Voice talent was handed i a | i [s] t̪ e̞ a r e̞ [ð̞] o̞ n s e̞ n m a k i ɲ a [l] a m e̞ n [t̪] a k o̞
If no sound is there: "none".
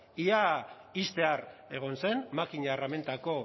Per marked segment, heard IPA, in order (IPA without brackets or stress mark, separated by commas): s, ɣ̞, r, t̪